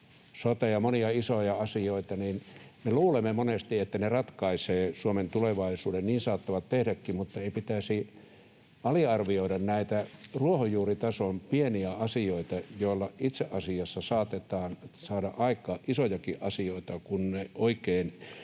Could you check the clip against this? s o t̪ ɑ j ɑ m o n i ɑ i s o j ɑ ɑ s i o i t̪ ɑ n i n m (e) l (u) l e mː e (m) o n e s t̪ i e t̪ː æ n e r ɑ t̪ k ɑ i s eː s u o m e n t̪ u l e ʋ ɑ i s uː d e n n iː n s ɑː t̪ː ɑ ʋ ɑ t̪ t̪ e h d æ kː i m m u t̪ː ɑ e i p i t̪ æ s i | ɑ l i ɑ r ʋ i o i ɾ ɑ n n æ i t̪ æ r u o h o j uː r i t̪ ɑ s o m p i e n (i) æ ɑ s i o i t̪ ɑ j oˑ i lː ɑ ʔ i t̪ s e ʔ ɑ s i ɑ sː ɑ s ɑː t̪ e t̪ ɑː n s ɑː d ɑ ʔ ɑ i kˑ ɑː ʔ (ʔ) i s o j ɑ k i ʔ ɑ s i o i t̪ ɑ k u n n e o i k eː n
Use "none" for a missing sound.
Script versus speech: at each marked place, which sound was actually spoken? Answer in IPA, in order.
e, uː, m, i, ʔ

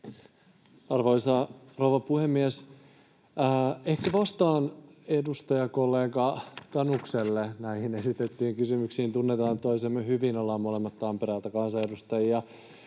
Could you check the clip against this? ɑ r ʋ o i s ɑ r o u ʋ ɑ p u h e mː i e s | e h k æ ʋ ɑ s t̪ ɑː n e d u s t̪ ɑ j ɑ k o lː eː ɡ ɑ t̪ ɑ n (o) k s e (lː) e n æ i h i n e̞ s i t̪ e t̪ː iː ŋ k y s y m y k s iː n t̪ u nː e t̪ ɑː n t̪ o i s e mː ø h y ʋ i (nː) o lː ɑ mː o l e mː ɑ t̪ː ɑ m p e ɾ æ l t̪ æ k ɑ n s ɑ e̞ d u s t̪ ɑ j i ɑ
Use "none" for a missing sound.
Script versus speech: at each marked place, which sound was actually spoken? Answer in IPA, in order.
u, lː, n

